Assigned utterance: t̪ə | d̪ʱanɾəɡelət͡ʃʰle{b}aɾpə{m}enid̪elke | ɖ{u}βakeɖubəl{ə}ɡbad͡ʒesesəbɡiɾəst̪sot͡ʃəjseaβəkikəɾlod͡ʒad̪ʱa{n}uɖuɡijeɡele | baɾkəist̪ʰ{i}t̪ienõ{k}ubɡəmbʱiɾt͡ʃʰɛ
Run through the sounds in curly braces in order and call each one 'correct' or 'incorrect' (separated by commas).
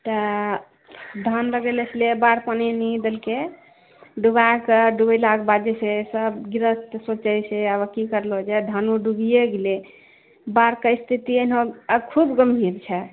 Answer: correct, incorrect, correct, incorrect, correct, correct, incorrect